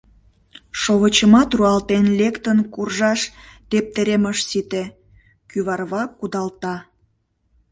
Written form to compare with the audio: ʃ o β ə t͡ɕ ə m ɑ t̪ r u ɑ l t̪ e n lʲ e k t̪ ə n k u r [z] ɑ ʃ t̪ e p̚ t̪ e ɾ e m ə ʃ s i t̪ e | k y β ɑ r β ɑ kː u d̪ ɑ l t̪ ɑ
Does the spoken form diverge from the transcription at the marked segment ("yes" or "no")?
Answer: yes